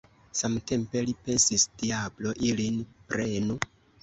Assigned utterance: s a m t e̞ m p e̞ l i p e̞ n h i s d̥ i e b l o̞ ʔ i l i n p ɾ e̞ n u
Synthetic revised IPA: s a m t e̞ m p e̞ l i p e̞ n s i s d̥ i a b l o̞ ʔ i l i n p ɾ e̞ n u